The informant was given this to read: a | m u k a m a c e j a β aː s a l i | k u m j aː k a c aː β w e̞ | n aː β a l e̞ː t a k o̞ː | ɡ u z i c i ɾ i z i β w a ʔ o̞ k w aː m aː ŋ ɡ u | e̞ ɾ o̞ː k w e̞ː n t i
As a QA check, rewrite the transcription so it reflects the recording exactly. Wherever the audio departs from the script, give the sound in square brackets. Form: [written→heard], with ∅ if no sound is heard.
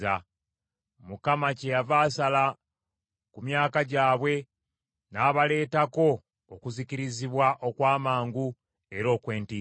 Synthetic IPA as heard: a | m u k a m a c e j a [β→v] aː s a l [i→a] | k u m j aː k a [c→ɟ] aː β w e̞ | n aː β a l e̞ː t a k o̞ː | [ɡ→k] u z i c i ɾ i z i β w a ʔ o̞ k w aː m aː ŋ ɡ u | e̞ ɾ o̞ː k w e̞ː n t i